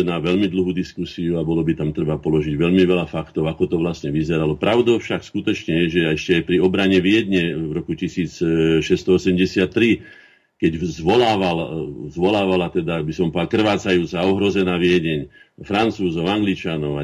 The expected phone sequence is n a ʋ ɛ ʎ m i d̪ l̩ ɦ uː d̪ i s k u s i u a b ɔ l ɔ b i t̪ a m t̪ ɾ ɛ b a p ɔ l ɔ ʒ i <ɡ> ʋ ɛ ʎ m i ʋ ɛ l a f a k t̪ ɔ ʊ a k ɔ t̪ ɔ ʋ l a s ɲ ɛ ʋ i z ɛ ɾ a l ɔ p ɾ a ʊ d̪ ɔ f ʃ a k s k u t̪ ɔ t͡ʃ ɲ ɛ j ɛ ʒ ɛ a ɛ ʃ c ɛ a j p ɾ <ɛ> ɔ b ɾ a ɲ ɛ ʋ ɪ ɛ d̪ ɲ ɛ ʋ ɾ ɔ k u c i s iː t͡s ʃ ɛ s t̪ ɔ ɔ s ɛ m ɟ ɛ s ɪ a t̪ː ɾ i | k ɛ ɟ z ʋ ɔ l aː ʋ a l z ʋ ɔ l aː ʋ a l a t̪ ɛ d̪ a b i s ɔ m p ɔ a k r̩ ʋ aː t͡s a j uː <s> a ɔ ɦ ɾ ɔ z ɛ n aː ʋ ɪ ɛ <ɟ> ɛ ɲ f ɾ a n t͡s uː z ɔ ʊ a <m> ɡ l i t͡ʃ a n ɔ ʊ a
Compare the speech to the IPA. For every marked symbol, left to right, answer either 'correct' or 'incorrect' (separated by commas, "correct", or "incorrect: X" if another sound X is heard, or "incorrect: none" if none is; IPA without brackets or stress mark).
incorrect: ɟ, incorrect: i, incorrect: t͡s, correct, incorrect: ŋ